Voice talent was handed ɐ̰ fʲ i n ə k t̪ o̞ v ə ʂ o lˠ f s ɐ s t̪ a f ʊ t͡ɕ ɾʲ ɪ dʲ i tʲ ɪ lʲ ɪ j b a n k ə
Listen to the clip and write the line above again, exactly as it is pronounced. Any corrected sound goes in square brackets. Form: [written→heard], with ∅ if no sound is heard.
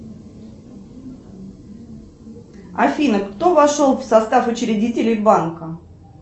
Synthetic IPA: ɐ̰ fʲ i n ə k t̪ o̞ v [ə→ɐ] ʂ o lˠ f s ɐ s t̪ a f ʊ t͡ɕ ɾʲ ɪ dʲ i tʲ ɪ lʲ ɪ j b a n k ə